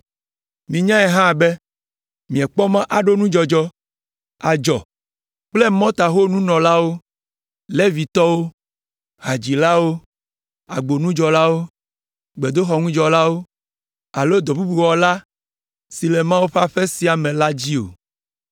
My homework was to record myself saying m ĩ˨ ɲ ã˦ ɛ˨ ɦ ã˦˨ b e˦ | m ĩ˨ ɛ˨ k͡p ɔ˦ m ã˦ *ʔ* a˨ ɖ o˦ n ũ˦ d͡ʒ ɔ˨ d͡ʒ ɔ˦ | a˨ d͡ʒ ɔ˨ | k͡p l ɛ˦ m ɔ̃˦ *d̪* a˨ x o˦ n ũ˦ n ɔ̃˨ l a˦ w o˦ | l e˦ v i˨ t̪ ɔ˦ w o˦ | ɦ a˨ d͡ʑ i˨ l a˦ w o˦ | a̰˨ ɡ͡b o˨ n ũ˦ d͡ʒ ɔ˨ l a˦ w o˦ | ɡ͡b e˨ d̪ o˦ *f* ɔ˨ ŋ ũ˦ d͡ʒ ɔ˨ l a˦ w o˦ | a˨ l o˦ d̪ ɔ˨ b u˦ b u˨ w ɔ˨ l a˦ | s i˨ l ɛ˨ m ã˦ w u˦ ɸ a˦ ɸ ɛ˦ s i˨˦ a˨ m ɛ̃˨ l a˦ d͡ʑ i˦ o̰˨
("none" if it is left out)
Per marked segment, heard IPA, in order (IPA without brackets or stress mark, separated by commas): ʔ, t̪, x